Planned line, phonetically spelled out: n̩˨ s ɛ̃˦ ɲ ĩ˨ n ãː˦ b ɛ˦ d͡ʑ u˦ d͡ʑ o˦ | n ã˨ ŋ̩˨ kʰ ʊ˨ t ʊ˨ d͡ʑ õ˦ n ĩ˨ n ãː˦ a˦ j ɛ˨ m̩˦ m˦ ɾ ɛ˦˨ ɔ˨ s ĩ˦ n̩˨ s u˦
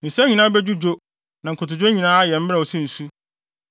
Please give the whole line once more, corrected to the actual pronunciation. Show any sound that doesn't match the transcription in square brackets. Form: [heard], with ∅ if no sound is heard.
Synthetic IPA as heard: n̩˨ s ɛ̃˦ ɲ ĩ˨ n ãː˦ b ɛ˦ d͡ʑ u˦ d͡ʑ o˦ | n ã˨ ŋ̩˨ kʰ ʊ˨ t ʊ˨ d͡ʑ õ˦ [ɲ] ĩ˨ n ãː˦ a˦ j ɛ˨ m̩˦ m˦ ɾ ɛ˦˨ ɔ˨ s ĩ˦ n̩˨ s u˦